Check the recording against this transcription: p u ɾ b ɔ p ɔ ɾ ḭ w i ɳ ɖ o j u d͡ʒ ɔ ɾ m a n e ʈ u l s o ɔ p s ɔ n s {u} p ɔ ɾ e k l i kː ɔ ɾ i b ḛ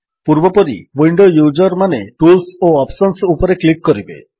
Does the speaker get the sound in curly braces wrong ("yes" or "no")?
no